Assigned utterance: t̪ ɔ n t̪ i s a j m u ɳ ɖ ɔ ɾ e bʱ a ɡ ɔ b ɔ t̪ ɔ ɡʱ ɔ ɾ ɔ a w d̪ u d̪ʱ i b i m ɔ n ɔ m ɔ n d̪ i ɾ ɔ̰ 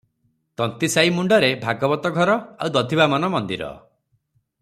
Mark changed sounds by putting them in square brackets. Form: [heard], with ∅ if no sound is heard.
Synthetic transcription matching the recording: t̪ ɔ n t̪ i s a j m u ɳ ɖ ɔ ɾ e bʱ a ɡ ɔ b ɔ t̪ ɔ ɡʱ ɔ ɾ ɔ a w d̪ [ɔ] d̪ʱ i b [a] m ɔ n ɔ m ɔ n d̪ i ɾ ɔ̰